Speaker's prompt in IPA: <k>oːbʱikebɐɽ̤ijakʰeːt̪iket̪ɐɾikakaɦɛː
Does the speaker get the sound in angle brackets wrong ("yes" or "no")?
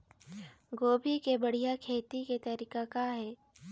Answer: yes